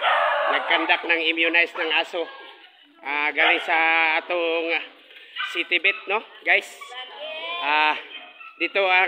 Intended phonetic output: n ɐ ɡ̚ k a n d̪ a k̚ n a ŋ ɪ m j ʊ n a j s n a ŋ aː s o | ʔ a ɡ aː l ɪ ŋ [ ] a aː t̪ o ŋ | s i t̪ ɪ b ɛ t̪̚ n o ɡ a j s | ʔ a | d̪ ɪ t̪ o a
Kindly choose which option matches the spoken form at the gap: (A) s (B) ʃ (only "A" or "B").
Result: A